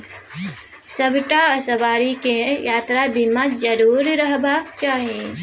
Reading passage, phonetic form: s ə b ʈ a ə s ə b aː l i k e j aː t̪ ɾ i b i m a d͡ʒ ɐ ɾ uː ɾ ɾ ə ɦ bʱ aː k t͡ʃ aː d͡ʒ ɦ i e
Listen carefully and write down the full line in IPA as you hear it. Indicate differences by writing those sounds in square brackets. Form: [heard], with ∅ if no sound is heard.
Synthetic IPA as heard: s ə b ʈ a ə s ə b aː [ɾ] i k e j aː t̪ ɾ [a] b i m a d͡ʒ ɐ ɾ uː ɾ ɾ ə ɦ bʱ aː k t͡ʃ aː [∅] ɦ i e